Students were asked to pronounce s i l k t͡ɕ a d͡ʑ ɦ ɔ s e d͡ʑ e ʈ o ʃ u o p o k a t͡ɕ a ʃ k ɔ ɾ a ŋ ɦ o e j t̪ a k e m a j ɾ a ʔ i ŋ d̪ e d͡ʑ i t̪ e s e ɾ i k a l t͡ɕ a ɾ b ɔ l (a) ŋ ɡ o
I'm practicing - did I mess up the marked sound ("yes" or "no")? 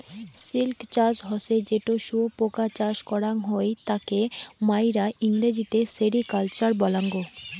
no